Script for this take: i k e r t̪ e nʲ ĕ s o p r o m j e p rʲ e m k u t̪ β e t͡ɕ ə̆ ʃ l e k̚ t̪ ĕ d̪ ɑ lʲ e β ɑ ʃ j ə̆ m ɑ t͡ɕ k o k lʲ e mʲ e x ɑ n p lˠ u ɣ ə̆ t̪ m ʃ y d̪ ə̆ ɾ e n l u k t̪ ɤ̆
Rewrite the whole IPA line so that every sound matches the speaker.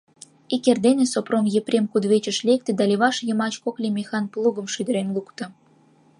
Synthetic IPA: i k e r d̪ e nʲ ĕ s o p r o m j e p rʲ e m k u d̪ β e t͡ɕ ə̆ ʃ l e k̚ t̪ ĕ d̪ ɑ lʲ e β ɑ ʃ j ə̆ m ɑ t͡ɕ k o k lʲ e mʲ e x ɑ n p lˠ u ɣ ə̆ m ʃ y d̪ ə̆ ɾ e n l u k t̪ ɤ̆